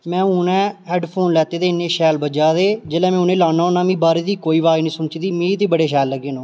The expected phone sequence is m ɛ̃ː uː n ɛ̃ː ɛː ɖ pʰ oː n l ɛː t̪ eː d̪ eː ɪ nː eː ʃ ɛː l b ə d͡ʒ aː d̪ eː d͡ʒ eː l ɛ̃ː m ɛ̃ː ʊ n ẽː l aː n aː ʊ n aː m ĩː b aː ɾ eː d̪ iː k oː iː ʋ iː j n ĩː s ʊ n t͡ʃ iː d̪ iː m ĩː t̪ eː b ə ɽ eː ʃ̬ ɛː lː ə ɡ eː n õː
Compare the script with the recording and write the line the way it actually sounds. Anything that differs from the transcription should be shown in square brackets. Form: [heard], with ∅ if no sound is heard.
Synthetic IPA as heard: m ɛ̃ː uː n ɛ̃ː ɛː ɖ pʰ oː n l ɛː t̪ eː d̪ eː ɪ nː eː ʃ ɛː l b ə d͡ʒ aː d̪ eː d͡ʒ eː l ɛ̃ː m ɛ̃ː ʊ n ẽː l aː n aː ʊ n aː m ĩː b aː ɾ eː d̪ iː k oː iː ʋ [aː] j n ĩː s ʊ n t͡ʃ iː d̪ iː m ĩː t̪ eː b ə ɽ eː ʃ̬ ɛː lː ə ɡ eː n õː